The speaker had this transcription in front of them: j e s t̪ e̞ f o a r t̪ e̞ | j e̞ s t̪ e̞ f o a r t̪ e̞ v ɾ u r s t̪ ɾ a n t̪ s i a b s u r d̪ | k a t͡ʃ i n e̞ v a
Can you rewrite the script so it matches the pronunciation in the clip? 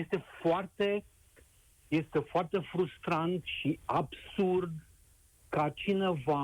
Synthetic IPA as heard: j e s t̪ e̞ f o a r t̪ e̞ | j e̞ s t̪ e̞ f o a r t̪ e̞ f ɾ u s t̪ ɾ a n t̪ ʃ i a b s u r d̪ | k a t͡ʃ i n e̞ v a